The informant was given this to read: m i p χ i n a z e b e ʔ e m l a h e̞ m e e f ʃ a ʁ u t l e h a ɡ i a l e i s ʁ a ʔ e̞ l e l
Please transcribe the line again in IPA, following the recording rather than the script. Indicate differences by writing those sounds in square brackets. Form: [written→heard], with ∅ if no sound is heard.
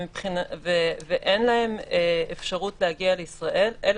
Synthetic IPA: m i p χ i n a [z→v] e [b→v] e ʔ e [m→n] l a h e̞ m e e f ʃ a ʁ u t l e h a ɡ i a l e i s ʁ a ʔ e̞ l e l

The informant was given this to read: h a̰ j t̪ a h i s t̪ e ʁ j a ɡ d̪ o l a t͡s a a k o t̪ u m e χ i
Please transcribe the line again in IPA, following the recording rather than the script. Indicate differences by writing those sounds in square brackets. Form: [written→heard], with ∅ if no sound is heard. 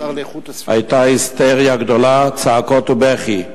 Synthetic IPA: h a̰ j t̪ a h i s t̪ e ʁ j a ɡ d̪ o l a t͡s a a k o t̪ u [m→b] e χ i

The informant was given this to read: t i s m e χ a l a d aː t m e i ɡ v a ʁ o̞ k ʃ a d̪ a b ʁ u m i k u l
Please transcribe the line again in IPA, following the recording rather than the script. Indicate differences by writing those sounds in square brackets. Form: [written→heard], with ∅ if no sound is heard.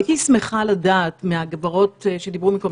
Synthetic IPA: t i s m e χ a l a d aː t m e [i→a] ɡ v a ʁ o̞ [k→t] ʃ [a→e] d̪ [a→i] b ʁ u m i k [u→o] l

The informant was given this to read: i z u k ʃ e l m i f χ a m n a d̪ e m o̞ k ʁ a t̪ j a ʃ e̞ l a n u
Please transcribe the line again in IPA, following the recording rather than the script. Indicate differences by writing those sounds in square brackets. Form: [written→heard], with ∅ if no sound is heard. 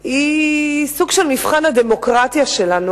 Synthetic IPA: i [z→s] u [k→ɡ] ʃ e l m i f χ a [m→∅] n a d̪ e m o̞ k ʁ a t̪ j a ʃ e̞ l a n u

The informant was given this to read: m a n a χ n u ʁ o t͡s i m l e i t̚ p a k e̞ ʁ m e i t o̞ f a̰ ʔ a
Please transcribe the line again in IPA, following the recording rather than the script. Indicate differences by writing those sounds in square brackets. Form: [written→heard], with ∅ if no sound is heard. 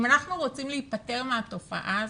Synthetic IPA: m a n a χ n u ʁ o t͡s i m l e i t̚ p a [k→t] e̞ ʁ m e [i→a] t o̞ f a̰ ʔ a

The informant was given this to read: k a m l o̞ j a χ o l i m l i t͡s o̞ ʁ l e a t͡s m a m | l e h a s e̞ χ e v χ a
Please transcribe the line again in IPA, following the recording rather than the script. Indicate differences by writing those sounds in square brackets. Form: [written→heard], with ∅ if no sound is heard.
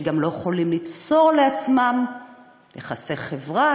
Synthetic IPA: [k→ɡ] a m l o̞ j [a→e] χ o l i m l i t͡s o̞ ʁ l e a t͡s m a m | l e [h→χ] a s e̞ χ e v [χ→ʁ] a

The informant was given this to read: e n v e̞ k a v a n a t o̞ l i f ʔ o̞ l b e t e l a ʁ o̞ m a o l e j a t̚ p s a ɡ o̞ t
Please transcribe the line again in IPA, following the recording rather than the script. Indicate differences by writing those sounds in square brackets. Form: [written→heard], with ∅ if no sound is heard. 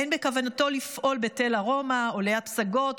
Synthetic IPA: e n [v→b] e̞ k a v a n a t o̞ l i f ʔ o̞ l b e t e l a ʁ o̞ m a o l e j a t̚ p s a ɡ o̞ t

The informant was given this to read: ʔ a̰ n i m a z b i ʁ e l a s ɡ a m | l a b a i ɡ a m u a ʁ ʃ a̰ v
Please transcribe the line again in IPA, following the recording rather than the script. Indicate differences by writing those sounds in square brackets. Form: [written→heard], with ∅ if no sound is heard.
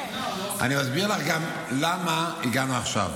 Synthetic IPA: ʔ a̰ n i m a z b i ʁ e l a [s→χ] ɡ a m | l a [b→m] a i ɡ a [m→n] u a [ʁ→χ] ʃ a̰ v

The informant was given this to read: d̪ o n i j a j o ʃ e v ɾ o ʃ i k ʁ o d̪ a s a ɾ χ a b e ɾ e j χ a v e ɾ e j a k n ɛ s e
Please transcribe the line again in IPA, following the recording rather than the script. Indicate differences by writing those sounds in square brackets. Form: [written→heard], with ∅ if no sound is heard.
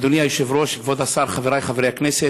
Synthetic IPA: d̪ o n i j a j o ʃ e v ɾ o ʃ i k [ʁ→v] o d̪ a s a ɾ χ a [b→v] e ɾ [e→a] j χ a v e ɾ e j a k n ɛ s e

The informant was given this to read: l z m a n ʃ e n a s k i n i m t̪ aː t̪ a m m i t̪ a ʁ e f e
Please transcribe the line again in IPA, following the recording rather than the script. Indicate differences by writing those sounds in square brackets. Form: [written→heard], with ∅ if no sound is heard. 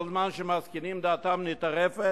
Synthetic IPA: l z m a n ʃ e [n→m] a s k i n i m [t̪→d̪] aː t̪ a m [m→n] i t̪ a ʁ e f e

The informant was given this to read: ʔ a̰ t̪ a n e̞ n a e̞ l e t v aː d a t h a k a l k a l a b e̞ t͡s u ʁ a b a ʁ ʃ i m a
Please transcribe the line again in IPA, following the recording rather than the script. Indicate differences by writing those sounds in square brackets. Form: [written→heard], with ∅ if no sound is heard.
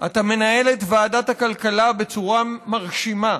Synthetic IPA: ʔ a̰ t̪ a [n→m] e̞ n a e̞ l e t v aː d a t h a k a l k a l a b e̞ t͡s u ʁ a [b→m] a ʁ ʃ i m a

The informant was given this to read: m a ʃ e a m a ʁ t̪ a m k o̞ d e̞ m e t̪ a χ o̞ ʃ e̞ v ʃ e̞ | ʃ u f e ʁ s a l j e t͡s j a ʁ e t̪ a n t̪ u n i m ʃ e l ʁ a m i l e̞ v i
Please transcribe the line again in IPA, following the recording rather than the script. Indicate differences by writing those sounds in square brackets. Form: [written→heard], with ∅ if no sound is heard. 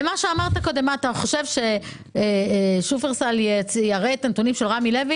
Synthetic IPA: m a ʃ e a m a ʁ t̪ a [m→∅] k o̞ d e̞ m [e→a] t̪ a χ o̞ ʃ e̞ v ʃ e̞ | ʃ u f e ʁ s a l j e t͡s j a ʁ e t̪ a n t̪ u n i m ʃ e l ʁ a m i l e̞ v i

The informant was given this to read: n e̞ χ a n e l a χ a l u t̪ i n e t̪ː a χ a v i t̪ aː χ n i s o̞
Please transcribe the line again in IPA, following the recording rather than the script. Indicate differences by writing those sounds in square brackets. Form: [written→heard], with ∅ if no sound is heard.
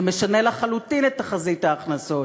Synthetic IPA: [n→m] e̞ [χ→ʃ] a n e l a χ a l u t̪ i n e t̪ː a χ a [v→z] i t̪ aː χ n [i→a] s o̞

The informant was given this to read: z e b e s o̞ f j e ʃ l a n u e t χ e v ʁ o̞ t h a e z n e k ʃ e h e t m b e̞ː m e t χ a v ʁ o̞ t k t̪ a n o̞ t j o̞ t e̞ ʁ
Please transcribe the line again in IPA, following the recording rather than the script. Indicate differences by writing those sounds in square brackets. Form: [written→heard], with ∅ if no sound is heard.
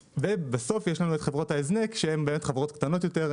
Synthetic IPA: [z→v] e b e s o̞ f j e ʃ l a n u e t χ e v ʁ o̞ t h a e z n e k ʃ e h e [t→∅] m b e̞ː m e t χ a v ʁ o̞ t k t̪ a n o̞ t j o̞ t e̞ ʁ

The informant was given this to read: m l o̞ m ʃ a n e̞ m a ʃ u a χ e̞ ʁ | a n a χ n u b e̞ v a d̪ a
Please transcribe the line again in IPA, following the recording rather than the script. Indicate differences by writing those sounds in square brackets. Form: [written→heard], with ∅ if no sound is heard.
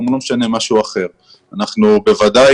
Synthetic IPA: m l o̞ m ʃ a n e̞ m a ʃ u a χ e̞ ʁ | a n a χ n u b e̞ v a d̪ a

